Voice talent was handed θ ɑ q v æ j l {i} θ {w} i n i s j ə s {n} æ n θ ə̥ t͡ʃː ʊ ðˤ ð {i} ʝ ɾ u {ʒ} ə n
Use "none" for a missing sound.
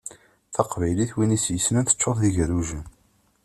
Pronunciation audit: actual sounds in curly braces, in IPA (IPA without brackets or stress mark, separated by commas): i, w, n, i, ʒ